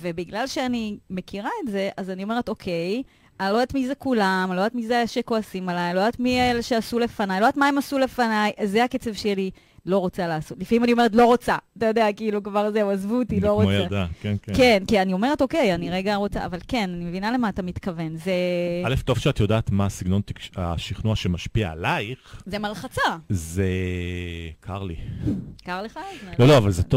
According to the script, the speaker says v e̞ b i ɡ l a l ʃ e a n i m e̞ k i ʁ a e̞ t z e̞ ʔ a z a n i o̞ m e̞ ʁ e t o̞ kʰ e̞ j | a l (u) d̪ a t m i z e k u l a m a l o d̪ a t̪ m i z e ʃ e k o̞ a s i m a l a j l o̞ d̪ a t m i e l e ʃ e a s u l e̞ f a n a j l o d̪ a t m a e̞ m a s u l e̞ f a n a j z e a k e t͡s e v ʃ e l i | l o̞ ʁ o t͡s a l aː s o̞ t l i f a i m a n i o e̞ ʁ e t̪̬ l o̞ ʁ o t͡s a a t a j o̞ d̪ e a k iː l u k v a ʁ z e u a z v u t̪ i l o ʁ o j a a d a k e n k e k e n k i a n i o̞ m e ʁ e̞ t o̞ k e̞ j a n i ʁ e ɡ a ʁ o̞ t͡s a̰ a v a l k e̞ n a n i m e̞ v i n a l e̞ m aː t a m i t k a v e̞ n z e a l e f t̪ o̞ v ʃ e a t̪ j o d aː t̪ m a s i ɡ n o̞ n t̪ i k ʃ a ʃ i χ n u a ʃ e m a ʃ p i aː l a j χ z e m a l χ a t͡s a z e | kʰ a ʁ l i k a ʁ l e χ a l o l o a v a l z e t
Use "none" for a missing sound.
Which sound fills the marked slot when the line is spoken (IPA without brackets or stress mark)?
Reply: o